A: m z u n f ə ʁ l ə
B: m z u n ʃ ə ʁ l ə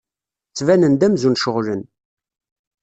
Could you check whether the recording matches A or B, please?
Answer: B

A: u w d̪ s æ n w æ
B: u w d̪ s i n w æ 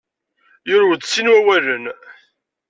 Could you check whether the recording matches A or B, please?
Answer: B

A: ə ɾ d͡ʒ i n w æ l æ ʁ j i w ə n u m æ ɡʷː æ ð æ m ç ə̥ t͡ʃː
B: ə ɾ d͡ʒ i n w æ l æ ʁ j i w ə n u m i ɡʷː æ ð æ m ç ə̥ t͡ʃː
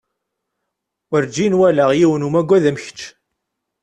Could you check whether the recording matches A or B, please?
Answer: A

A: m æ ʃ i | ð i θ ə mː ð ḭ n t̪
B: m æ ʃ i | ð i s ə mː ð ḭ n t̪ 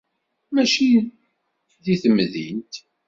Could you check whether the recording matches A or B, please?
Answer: A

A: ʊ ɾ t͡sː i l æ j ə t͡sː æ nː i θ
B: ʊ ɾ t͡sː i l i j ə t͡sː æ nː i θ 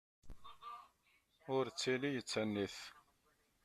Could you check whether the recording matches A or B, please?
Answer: B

